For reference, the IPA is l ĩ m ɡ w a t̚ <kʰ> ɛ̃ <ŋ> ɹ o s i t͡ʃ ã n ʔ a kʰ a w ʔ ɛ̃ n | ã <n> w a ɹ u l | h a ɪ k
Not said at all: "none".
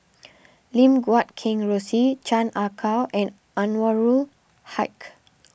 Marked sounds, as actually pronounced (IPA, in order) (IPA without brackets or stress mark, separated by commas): kʰ, ŋ, n